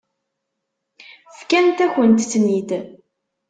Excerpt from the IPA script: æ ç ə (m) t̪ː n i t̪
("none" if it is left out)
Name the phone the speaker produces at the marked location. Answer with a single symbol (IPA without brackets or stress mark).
n